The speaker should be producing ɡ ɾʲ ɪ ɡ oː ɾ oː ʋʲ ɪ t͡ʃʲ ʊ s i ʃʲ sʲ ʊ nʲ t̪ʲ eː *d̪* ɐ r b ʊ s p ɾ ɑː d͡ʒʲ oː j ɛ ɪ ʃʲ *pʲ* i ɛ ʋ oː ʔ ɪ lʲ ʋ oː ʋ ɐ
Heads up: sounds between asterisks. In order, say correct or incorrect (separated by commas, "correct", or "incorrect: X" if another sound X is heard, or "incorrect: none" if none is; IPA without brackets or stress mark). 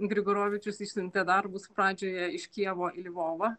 correct, incorrect: kʲ